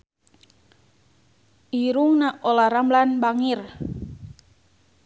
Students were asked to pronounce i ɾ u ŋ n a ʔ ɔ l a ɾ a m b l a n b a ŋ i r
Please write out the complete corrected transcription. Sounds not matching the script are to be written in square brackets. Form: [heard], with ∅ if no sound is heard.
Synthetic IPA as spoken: i ɾ u ŋ n a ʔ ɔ l a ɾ a m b l a n b a ŋ i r